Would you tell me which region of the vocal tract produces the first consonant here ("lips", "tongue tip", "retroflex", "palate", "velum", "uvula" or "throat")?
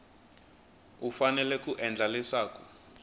lips